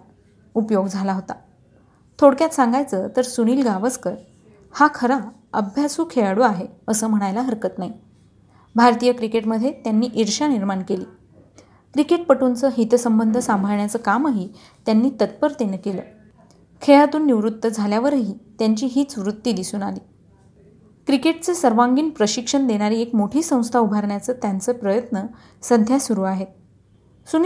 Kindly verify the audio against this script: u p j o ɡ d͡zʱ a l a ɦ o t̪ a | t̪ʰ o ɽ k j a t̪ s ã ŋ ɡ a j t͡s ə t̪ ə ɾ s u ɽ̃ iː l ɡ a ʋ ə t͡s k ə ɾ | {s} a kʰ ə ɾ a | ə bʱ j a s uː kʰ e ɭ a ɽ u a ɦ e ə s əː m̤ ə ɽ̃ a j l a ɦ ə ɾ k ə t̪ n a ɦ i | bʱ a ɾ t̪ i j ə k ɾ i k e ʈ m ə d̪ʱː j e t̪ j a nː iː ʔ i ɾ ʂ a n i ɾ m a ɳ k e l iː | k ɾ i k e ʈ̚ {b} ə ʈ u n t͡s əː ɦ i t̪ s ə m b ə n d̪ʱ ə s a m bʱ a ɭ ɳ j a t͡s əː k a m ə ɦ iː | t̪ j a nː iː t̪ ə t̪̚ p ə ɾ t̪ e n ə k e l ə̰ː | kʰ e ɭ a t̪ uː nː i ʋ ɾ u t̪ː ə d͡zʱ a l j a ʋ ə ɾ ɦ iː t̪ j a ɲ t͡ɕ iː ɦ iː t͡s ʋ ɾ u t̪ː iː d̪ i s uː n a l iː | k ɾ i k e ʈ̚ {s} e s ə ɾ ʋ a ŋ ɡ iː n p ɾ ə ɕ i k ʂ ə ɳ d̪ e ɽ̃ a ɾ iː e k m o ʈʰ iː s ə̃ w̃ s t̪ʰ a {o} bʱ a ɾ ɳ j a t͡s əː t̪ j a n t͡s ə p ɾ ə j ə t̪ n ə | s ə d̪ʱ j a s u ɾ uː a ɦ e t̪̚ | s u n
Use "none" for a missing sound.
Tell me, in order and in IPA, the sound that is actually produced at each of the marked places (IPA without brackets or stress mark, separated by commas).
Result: h, p, t͡s, u